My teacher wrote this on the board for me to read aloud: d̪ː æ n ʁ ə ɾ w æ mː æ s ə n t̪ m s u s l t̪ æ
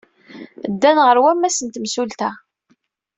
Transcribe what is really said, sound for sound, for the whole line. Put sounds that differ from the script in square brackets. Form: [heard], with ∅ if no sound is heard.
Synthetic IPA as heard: d̪ː æ n ʁ ə ɾ w æ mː æ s ə n t̪ m s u [∅] l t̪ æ